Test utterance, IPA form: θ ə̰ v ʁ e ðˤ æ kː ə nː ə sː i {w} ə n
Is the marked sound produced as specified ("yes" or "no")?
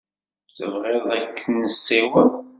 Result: yes